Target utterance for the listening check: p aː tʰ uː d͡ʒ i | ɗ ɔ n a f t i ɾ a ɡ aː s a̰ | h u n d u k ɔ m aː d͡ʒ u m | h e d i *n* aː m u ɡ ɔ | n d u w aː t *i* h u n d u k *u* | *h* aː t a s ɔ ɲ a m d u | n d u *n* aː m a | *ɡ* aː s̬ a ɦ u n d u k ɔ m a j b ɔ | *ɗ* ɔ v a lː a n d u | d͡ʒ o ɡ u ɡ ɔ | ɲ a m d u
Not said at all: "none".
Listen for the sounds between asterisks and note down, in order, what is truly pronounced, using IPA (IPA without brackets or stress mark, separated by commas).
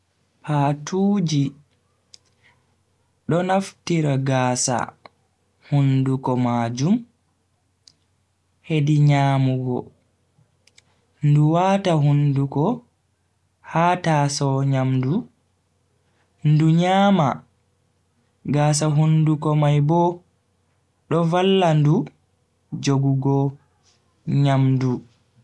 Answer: ɲ, a, ɔ, h, ɲ, ɡ, ɗ